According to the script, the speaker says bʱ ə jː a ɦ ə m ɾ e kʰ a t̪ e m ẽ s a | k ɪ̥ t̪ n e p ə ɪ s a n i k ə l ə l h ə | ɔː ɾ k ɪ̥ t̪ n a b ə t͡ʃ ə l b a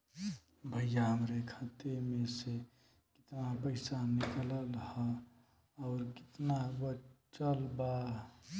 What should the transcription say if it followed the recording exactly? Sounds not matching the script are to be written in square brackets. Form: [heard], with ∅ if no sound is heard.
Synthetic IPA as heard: bʱ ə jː a ɦ ə m ɾ e kʰ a t̪ e m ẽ s [e] | k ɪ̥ t̪ n [a] p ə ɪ s a n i k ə l ə l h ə | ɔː ɾ k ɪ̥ t̪ n a b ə t͡ʃ ə l b a

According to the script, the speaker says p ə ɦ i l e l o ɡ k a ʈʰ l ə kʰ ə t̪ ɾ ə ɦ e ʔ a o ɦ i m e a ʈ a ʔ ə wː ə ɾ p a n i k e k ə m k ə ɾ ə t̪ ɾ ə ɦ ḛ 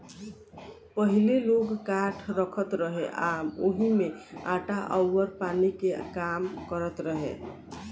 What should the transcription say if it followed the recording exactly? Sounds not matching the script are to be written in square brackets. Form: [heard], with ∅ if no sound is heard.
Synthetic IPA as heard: p ə ɦ i l e l o ɡ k a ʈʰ [ɾ] ə kʰ ə t̪ ɾ ə ɦ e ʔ a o ɦ i m e a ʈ a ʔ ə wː ə ɾ p a n i k e k [a] m k ə ɾ ə t̪ ɾ ə ɦ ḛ

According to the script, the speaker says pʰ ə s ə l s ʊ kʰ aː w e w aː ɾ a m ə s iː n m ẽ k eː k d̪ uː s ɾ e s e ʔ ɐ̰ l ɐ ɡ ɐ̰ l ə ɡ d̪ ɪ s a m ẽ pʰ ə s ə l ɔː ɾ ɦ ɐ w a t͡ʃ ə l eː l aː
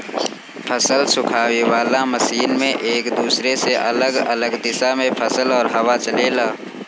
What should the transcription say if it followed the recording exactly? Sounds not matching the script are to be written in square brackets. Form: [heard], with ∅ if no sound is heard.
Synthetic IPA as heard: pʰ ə s ə l s ʊ kʰ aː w e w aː [l] a m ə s iː n m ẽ [ʔ] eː k d̪ uː s ɾ e s e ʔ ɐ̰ l [ə] ɡ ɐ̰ l ə ɡ d̪ ɪ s a m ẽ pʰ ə s ə l ɔː ɾ ɦ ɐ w a t͡ʃ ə l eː l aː

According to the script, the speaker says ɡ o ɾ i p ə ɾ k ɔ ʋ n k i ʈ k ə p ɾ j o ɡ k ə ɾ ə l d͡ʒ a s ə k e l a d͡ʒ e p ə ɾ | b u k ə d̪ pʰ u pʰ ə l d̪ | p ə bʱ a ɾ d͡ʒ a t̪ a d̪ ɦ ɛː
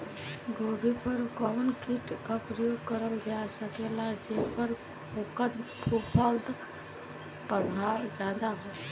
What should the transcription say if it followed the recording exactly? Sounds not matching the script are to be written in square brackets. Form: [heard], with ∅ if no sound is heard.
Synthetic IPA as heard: ɡ o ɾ i p ə ɾ k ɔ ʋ n k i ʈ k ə p ɾ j o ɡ k ə ɾ ə l d͡ʒ a s ə k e l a d͡ʒ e p ə ɾ | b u k ə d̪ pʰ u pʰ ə l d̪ | p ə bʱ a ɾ d͡ʒ a [d̪] a [∅] ɦ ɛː

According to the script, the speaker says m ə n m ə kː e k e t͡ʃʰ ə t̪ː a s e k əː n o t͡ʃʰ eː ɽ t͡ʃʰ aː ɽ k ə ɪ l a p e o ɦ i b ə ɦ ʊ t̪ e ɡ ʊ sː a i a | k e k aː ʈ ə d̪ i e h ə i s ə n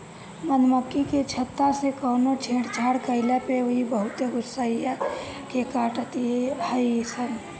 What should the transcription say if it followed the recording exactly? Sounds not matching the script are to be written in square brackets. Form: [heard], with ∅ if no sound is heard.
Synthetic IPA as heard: m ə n m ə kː [i] k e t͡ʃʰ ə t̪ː a s e k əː n o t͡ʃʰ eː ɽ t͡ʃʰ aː ɽ k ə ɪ l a p e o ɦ i b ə ɦ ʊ t̪ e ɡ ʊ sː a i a | k e k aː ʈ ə [t̪] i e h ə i s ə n

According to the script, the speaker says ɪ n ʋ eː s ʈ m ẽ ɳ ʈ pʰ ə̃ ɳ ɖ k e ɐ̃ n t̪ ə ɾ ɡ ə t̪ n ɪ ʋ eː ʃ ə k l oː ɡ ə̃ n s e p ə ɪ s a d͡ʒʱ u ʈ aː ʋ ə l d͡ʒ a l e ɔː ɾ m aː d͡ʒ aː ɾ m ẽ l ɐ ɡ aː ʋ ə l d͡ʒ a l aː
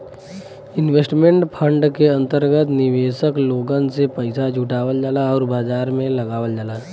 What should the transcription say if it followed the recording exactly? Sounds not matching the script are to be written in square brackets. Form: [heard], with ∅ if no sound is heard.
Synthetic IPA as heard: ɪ n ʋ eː s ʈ m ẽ ɳ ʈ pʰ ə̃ ɳ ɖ k e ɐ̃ n t̪ ə ɾ ɡ ə t̪ n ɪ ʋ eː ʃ ə k l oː ɡ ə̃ n s e p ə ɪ s a d͡ʒʱ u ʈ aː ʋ ə l d͡ʒ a l [a] ɔː ɾ [b] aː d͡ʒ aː ɾ m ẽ l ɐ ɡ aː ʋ ə l d͡ʒ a l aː

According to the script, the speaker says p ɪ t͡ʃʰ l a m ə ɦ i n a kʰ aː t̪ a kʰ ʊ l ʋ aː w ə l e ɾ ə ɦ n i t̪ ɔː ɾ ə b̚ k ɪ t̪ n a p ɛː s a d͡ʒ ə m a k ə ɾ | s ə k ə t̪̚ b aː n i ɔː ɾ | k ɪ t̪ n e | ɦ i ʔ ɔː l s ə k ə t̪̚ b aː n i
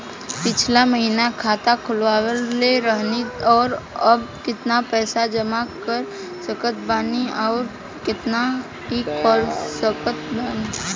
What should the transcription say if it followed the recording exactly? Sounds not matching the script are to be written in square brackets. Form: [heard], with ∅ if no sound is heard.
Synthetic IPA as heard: p ɪ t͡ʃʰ l a m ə ɦ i n a kʰ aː t̪ a kʰ ʊ l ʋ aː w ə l e ɾ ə ɦ n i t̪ ɔː ɾ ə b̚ k ɪ t̪ n a p ɛː s a d͡ʒ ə m a k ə ɾ | s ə k ə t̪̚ b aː n i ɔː ɾ | k ɪ t̪ n [a] | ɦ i [k] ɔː l s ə k ə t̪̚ b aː n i

